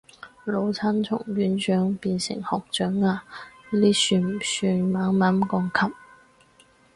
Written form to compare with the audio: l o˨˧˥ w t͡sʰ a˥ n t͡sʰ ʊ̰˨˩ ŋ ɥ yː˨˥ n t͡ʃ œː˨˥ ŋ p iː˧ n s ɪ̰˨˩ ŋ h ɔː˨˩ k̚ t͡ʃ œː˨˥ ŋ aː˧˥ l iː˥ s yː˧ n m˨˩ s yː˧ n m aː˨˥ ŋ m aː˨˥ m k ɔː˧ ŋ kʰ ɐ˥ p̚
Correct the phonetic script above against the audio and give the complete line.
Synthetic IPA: l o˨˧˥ w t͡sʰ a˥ n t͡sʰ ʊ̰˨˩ ŋ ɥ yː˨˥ n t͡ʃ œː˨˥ ŋ p iː˧ n s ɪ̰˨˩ ŋ h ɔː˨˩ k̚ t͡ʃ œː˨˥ ŋ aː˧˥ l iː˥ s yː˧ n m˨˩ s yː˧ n m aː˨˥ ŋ m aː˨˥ m k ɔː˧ ŋ kʰ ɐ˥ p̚

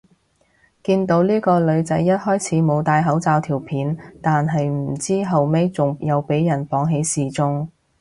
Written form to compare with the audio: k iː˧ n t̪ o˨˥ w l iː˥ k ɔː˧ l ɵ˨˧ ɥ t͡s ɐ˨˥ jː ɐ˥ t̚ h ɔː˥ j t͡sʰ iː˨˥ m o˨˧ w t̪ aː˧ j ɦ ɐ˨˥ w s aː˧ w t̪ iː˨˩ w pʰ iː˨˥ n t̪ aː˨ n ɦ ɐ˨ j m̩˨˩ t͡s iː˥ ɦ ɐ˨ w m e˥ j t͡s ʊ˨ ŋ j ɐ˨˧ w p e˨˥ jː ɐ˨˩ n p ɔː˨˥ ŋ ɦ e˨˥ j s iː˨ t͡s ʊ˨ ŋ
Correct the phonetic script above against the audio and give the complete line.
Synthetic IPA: k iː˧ n t̪ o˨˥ w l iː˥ k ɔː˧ l ɵ˨˧ ɥ t͡s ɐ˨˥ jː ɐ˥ t̚ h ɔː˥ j t͡sʰ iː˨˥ m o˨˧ w t̪ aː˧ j ɦ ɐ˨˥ w t͡s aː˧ w t̪ʰ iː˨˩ w pʰ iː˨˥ n t̪ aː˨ n ɦ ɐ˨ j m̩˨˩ t͡s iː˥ ɦ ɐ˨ w m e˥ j t͡s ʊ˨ ŋ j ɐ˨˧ w p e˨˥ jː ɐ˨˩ n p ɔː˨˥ ŋ ɦ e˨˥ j s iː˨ t͡s ʊ˥ ŋ

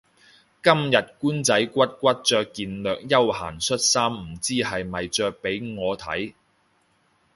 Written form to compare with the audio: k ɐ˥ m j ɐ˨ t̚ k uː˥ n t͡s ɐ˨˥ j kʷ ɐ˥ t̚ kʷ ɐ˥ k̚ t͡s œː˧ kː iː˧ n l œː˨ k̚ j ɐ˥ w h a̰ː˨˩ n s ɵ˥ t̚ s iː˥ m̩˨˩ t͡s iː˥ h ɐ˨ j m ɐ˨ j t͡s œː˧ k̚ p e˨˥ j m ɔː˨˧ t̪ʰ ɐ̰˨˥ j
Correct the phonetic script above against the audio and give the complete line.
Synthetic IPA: k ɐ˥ m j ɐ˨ t̚ k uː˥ n t͡s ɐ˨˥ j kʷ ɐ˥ t̚ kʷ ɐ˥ t̚ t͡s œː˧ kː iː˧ n l œː˨ k̚ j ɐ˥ w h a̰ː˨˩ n s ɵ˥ t̚ s aː˥ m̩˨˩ t͡s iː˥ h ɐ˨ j m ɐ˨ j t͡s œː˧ k̚ p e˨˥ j ŋ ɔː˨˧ t̪ʰ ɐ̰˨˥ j

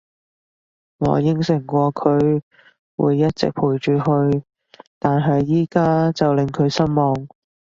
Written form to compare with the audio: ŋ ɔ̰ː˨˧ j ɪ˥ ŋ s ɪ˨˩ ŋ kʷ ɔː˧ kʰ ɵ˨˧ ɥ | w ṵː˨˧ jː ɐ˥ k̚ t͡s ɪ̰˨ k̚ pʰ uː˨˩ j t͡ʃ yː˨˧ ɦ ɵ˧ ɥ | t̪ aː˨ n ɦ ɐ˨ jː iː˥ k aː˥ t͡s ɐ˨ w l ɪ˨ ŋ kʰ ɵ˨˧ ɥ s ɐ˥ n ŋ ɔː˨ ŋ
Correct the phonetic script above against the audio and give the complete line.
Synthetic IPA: ŋ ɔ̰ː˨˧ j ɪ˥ ŋ s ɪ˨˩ ŋ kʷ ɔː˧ kʰ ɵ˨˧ ɥ | w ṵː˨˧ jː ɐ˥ t̚ t͡s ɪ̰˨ k̚ pʰ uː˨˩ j t͡ʃ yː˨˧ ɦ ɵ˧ ɥ | t̪ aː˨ n ɦ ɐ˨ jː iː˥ k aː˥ t͡s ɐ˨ w l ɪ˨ ŋ kʰ ɵ˨˧ ɥ s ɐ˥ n m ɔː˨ ŋ

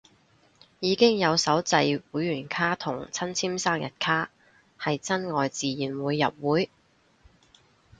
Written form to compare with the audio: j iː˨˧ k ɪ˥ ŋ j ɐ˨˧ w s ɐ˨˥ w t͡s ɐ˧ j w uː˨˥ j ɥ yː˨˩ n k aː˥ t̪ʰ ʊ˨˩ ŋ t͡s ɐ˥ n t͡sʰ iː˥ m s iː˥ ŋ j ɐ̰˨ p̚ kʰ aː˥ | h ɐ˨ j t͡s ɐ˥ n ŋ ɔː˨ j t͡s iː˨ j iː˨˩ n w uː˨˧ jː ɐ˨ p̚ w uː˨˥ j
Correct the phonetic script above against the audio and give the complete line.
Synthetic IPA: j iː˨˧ k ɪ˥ ŋ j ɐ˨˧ w s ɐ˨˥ w t͡s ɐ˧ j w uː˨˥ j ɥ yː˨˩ n kʰ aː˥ t̪ʰ ʊ˨˩ ŋ t͡sʰ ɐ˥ n t͡sʰ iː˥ m s aː˥ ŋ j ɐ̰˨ t̚ kʰ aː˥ | h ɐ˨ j t͡s ɐ˥ n ŋ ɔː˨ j t͡s iː˨ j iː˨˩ n w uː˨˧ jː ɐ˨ p̚ w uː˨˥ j

